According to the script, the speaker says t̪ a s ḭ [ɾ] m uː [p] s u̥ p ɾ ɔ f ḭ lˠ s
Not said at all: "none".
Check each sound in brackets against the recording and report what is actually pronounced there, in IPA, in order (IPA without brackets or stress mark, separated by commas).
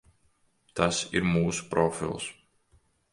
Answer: ɾ, none